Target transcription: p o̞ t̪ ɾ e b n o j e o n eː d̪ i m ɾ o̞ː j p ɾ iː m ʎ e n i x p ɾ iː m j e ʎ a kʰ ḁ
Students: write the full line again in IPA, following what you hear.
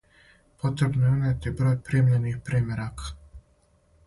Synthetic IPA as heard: p o̞ t̪ ɾ e b n o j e u n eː t̪ i b ɾ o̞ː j p ɾ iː m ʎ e n i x p ɾ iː m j e ɾ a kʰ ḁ